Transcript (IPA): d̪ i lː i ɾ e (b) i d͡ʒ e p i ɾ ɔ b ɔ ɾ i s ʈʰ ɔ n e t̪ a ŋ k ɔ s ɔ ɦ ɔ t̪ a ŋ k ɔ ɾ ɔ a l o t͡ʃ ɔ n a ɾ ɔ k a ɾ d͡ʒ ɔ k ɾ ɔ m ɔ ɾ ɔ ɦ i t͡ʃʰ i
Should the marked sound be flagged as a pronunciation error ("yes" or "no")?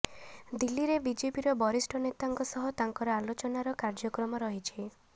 no